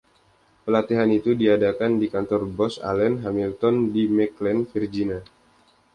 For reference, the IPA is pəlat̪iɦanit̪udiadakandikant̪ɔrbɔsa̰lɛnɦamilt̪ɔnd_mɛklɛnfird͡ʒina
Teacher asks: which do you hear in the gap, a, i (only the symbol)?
i